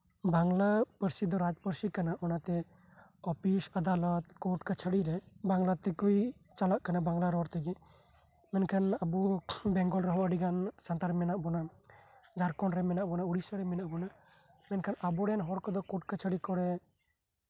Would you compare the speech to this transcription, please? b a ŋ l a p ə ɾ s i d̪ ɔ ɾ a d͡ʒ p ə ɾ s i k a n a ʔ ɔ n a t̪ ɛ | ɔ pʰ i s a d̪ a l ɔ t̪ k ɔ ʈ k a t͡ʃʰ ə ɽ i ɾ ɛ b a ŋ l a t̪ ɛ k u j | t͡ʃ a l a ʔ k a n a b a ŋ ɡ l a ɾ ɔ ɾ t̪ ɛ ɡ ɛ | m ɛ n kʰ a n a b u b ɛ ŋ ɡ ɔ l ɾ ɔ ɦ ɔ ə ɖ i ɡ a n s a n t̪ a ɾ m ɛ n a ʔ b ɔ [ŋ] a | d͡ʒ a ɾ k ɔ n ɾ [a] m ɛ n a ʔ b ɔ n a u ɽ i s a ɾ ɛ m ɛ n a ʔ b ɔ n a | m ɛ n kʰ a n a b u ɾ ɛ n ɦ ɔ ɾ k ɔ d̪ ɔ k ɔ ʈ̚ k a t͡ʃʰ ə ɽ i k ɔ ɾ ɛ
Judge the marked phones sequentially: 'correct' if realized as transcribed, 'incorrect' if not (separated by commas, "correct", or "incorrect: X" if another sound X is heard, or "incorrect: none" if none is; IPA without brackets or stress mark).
incorrect: n, incorrect: ɛ